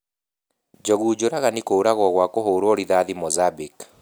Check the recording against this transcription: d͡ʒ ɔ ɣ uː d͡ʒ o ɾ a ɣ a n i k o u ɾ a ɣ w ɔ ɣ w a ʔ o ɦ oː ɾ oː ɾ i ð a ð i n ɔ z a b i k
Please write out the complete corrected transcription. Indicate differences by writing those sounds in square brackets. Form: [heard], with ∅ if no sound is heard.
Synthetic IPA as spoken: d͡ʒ ɔ ɣ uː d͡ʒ o ɾ a ɣ a n i k o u ɾ a ɣ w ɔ ɣ w a [k] o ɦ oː ɾ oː ɾ i ð a ð i [m] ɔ z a b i k